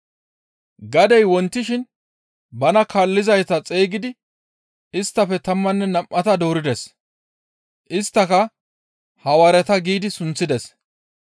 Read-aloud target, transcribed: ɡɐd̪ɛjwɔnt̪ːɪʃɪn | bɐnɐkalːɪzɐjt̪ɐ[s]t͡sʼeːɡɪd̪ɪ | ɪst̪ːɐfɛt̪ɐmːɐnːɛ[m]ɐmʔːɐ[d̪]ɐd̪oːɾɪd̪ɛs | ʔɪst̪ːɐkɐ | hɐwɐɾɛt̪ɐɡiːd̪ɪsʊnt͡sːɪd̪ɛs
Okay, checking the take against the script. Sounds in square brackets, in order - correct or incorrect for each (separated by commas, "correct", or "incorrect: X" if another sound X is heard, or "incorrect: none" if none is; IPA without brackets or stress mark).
incorrect: none, incorrect: n, incorrect: t̪